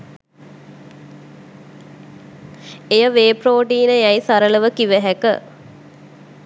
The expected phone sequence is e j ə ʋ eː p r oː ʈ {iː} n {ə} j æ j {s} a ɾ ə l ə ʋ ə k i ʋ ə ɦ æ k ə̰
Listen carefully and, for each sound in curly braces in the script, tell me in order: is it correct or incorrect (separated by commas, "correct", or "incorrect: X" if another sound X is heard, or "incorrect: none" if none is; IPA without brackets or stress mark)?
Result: correct, correct, correct